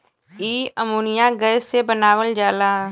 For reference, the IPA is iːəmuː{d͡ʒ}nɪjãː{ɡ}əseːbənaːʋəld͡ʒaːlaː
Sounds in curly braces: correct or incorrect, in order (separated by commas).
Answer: incorrect, correct